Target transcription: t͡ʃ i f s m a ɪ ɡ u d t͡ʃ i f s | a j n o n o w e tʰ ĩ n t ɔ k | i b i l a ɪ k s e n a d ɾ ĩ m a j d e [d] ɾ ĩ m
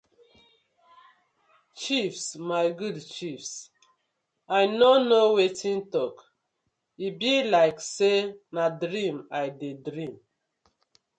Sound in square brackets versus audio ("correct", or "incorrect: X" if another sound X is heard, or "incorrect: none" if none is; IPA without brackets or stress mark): correct